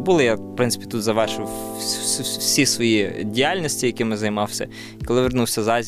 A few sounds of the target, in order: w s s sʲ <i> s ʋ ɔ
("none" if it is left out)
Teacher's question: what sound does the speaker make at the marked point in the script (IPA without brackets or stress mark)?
i